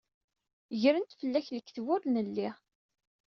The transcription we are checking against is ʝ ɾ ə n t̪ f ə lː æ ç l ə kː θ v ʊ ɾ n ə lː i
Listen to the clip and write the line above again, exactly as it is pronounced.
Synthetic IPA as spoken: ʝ ɾ ə n t̪ f ə lː æ ç l ə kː θ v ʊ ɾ n ə lː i